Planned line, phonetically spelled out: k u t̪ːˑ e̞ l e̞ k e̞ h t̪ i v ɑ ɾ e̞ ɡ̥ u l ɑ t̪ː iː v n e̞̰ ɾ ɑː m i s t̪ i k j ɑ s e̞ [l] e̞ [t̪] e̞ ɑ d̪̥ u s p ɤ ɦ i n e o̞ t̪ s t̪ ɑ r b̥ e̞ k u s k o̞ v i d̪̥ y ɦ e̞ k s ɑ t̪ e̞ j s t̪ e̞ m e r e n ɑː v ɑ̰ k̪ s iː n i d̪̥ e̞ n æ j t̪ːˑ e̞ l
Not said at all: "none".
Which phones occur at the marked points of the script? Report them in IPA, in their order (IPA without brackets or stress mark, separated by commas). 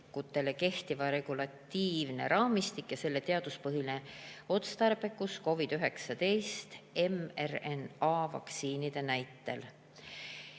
lː, t̪